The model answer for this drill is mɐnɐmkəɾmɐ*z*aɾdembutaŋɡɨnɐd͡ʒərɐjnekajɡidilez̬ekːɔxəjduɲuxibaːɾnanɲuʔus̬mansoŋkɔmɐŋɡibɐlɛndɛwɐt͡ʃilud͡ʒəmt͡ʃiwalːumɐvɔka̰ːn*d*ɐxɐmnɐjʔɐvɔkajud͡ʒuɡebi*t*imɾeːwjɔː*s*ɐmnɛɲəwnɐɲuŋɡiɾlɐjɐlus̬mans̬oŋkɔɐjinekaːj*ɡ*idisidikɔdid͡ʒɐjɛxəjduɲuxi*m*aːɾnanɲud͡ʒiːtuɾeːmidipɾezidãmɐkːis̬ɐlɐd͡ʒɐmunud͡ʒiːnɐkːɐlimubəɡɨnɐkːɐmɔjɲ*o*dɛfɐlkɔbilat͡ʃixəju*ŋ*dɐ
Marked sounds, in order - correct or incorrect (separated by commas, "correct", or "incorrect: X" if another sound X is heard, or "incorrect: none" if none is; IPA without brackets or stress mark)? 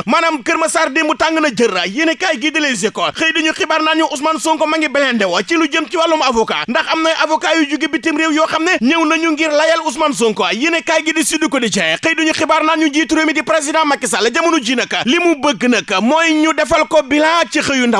incorrect: s, correct, correct, incorrect: x, correct, incorrect: b, incorrect: u, incorrect: n